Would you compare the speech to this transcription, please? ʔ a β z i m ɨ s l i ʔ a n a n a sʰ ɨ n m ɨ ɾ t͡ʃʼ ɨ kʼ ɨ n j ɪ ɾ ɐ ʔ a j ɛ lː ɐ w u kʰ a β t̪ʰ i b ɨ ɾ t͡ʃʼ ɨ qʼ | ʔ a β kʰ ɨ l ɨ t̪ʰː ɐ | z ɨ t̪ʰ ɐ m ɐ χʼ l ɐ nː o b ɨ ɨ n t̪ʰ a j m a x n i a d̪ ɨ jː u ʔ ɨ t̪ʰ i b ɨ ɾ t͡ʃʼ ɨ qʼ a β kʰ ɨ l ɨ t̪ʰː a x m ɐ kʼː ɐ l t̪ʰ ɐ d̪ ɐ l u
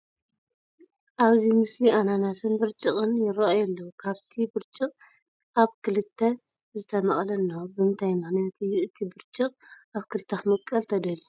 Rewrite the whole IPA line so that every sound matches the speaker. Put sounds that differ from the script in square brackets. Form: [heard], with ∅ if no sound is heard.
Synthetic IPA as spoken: ʔ a β z i m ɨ s l i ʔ a n a n a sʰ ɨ n [b] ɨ ɾ t͡ʃʼ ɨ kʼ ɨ n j ɪ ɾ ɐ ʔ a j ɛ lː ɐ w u kʰ a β t̪ʰ i b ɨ ɾ t͡ʃʼ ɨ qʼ | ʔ a β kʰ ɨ l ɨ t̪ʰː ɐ | z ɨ t̪ʰ ɐ m ɐ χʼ l ɐ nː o b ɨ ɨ n t̪ʰ a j m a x n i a [t̪] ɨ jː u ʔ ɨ t̪ʰ i b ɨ ɾ t͡ʃʼ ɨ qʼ a β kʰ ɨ l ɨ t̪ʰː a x m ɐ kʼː ɐ l t̪ʰ ɐ d̪ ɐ l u